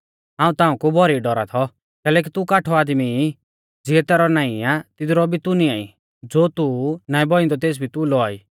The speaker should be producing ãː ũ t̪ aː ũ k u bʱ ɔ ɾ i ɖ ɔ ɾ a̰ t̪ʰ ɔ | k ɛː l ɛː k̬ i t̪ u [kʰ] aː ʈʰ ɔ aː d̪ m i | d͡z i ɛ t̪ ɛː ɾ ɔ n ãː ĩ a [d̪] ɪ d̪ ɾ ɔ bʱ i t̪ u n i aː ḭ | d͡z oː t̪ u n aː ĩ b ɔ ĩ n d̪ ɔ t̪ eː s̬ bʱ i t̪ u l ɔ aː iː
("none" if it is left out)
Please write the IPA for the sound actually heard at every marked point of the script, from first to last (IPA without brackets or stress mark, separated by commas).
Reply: k, t̪